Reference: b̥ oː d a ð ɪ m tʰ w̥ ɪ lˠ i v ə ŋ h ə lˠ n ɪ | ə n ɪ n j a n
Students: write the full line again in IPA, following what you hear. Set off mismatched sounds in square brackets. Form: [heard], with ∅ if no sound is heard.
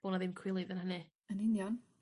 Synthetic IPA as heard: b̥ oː [n] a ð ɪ m [kʰ] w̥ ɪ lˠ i [ð] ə [n] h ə [∅] n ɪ | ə n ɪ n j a n